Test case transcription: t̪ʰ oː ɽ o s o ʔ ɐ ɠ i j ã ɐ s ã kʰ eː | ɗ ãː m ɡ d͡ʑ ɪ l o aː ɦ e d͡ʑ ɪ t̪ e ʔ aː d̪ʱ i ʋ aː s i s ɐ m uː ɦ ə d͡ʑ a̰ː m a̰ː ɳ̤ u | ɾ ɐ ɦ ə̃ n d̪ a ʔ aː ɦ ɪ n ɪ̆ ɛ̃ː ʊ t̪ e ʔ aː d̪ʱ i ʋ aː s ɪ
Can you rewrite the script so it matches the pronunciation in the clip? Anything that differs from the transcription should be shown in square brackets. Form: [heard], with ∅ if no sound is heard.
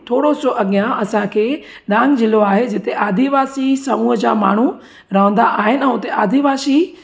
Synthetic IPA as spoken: t̪ʰ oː ɽ o s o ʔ ɐ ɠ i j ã ɐ s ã kʰ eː | ɗ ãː [ŋ] ɡ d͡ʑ ɪ l o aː ɦ e d͡ʑ ɪ t̪ e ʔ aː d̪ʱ i ʋ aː s i s ɐ m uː ɦ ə d͡ʑ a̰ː m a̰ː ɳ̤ u | ɾ ɐ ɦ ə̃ n d̪ a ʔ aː ɦ ɪ n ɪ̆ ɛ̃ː ʊ t̪ e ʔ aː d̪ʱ i ʋ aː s [i]